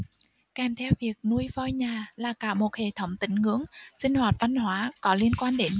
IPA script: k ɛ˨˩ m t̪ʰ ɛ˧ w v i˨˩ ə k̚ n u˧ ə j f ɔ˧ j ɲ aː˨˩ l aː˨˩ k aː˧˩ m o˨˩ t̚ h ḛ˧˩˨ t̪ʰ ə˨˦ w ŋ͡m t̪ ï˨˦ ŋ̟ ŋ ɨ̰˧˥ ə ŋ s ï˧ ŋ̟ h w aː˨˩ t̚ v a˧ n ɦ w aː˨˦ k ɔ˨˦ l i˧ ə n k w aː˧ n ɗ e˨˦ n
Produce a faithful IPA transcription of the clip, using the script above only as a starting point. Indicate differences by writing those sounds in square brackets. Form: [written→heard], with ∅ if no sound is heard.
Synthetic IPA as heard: k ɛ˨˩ m t̪ʰ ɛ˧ w v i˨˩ ə k̚ n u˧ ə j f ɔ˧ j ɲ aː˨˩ l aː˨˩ k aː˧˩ m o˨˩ t̚ h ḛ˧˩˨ t̪ʰ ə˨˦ w ŋ͡m t̪ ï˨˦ ŋ̟ ŋ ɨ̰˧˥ ə ŋ s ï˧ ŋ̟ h w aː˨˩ t̚ v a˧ n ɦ w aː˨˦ k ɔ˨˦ l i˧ ə n k w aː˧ n ɗ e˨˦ n